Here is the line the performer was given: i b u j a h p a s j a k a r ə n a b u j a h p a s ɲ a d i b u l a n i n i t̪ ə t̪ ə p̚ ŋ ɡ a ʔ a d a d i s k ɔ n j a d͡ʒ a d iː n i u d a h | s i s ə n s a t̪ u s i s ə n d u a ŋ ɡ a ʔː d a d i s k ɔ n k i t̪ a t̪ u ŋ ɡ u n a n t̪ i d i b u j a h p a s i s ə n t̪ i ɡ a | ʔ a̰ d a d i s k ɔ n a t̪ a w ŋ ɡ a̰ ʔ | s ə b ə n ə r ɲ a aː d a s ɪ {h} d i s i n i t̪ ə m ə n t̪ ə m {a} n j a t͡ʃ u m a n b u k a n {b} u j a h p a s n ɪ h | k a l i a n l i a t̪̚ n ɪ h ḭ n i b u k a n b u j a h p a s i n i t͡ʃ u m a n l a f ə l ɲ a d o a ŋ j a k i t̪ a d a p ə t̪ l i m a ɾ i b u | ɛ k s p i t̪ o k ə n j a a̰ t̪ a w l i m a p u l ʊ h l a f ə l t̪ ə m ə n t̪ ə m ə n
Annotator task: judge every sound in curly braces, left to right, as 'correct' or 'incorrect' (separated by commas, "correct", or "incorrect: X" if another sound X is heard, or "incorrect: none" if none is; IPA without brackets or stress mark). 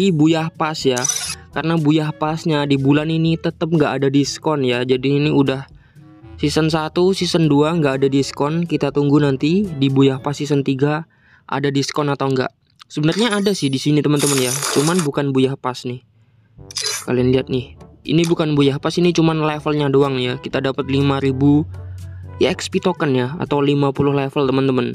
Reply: correct, incorrect: ə, correct